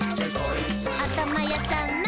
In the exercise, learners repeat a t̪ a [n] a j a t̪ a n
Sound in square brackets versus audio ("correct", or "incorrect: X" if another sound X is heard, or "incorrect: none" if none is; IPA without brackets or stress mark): incorrect: m